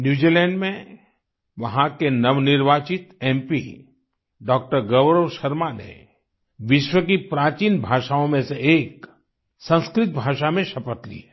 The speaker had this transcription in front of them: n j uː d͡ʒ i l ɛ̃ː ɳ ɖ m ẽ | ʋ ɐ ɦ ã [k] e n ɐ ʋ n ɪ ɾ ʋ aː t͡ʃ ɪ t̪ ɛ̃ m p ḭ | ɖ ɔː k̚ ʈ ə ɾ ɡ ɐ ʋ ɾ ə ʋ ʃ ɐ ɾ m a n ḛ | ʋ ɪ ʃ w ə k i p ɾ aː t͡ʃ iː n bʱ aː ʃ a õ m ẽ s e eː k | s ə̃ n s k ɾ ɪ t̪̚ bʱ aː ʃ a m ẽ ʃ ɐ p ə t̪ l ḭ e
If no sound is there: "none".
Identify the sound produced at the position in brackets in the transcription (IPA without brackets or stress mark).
k